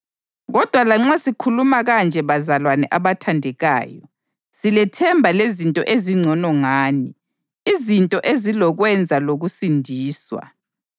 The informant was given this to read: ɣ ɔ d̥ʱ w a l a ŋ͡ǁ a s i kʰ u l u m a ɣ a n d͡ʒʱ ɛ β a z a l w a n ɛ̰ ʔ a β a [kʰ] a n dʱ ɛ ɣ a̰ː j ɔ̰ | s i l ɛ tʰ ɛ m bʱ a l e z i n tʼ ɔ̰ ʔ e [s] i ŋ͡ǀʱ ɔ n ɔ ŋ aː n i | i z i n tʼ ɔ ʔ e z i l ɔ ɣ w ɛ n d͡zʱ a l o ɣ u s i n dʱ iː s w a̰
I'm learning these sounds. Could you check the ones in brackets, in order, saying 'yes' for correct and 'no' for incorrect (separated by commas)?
no, no